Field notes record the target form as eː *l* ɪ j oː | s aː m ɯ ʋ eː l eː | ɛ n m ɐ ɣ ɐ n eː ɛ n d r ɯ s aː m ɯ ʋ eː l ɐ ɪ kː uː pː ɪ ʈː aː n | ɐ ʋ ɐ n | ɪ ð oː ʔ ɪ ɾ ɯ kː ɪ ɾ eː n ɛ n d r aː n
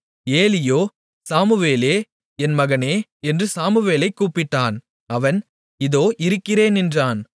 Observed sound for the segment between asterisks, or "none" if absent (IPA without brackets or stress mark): l